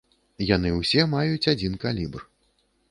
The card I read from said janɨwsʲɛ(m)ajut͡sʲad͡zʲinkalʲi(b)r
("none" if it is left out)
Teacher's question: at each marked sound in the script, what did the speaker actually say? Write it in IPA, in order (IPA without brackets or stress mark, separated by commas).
m, b